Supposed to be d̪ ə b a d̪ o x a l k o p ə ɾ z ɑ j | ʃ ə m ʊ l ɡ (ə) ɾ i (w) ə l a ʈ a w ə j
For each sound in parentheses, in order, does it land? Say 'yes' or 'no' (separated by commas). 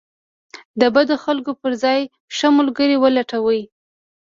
yes, yes